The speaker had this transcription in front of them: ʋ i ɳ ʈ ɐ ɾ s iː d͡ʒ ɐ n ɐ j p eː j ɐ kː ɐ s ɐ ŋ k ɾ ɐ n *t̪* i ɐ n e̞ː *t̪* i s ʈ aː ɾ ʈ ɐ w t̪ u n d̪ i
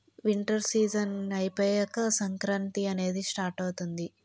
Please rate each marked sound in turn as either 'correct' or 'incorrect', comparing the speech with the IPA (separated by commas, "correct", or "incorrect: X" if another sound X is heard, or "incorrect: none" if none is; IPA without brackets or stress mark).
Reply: correct, incorrect: d̪